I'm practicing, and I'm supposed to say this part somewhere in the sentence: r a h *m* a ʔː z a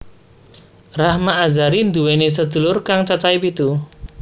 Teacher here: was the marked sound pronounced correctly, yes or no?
yes